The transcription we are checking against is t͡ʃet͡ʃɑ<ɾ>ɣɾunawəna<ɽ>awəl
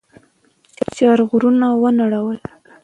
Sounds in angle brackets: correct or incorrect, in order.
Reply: correct, correct

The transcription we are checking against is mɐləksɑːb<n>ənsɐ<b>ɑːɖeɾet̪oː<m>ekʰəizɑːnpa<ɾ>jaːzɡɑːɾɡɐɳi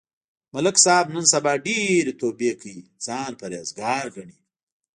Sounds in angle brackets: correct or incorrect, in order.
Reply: correct, correct, incorrect: b, correct

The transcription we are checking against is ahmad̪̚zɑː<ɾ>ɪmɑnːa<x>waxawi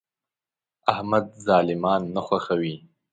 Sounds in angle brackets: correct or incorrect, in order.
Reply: incorrect: l, correct

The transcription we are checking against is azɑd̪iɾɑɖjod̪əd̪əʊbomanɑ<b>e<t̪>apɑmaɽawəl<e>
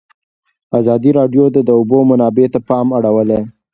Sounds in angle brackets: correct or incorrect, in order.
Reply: correct, correct, correct

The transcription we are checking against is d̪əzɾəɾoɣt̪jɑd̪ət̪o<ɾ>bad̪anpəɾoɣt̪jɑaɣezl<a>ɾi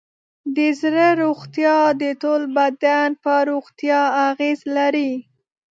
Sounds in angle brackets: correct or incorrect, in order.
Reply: incorrect: l, correct

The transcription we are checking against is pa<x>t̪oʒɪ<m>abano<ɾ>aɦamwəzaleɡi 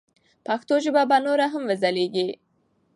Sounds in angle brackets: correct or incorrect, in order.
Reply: correct, incorrect: b, correct

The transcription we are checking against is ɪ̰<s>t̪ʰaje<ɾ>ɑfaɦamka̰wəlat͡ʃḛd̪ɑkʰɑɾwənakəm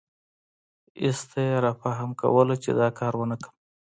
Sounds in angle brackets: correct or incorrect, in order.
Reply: correct, correct

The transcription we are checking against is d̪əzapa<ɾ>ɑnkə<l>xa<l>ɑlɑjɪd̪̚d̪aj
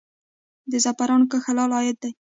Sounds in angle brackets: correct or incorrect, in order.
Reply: correct, incorrect: none, correct

